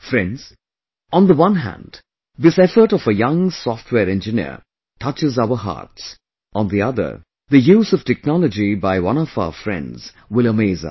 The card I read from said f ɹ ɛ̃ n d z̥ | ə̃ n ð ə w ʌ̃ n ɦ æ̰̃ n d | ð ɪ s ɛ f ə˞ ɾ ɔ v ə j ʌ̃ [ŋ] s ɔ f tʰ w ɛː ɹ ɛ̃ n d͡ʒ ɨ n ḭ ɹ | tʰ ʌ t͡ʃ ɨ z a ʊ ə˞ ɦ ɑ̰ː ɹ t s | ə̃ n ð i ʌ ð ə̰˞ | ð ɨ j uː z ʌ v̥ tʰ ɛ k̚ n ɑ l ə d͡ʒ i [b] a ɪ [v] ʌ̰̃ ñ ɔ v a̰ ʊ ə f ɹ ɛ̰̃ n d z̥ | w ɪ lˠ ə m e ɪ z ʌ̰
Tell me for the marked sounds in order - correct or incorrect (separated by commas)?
correct, correct, incorrect